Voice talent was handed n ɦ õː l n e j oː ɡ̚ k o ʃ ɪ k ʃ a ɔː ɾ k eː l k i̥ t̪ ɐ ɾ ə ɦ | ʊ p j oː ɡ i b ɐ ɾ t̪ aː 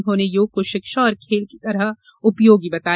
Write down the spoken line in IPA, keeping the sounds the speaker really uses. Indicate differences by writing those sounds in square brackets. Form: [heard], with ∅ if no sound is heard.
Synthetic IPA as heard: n ɦ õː [∅] n e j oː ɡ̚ k o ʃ ɪ k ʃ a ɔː ɾ [kʰ] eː l k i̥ t̪ ɐ ɾ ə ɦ | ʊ p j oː ɡ i b ɐ [∅] t̪ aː